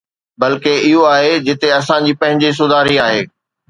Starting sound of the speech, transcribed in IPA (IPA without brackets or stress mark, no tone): b